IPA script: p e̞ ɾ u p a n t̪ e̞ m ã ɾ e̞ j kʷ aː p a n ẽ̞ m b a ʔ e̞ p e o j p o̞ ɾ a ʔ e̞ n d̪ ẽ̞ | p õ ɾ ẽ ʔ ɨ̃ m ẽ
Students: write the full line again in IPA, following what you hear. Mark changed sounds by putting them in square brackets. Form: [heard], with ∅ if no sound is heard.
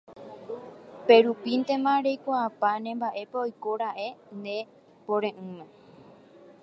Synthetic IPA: p e̞ ɾ u p [i] n t̪ e̞ m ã ɾ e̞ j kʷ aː p a n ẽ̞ m b a ʔ e̞ p e o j [k] o̞ ɾ a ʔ e̞ n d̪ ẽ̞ | p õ ɾ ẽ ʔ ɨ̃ m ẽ